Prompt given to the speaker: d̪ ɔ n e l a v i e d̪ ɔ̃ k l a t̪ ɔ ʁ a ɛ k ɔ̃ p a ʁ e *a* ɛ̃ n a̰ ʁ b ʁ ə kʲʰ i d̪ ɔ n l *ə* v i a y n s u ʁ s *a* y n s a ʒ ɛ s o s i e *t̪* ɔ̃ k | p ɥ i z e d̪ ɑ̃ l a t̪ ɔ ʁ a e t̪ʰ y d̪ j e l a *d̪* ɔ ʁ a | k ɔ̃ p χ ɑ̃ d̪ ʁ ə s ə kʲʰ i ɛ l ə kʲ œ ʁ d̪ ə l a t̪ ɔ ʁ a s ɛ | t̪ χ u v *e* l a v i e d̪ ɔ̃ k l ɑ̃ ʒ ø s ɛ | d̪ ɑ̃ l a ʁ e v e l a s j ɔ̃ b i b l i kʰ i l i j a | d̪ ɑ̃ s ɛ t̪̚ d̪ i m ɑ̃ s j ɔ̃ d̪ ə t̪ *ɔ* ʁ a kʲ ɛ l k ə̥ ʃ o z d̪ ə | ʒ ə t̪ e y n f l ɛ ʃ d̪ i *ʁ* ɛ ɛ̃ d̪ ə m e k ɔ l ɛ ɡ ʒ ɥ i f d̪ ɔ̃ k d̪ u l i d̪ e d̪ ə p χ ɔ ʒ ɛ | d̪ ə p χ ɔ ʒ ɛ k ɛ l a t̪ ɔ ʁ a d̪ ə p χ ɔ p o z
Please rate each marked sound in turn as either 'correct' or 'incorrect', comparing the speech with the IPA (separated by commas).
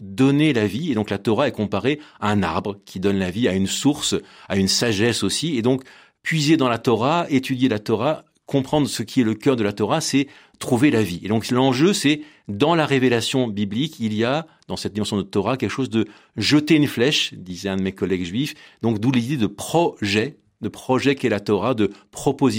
correct, incorrect, correct, incorrect, incorrect, correct, correct, incorrect